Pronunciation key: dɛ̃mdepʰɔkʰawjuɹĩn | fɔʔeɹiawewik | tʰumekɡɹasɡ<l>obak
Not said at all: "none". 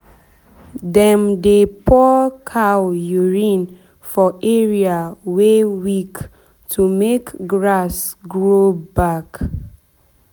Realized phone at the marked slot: ɹ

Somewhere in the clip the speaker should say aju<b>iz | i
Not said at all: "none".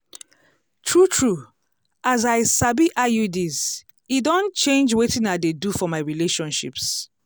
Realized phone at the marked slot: d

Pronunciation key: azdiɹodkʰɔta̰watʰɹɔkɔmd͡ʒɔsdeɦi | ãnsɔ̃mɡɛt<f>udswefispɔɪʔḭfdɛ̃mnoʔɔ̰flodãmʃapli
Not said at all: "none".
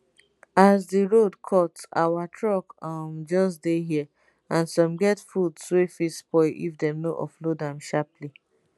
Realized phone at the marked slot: f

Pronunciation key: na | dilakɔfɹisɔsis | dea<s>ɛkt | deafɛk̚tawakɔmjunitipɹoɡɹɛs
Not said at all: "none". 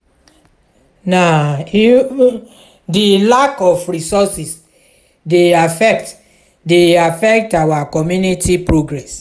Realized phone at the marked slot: f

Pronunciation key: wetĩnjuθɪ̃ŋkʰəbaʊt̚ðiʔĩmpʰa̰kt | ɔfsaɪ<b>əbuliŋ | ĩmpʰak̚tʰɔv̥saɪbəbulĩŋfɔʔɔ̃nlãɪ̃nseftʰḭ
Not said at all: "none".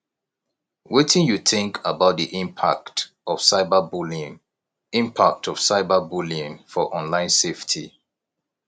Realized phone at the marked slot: b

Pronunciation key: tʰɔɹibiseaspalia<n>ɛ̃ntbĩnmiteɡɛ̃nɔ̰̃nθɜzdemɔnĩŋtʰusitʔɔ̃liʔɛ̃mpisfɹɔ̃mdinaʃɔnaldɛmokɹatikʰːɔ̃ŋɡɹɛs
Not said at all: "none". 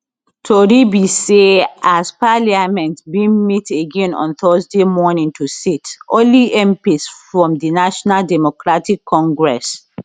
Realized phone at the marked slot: m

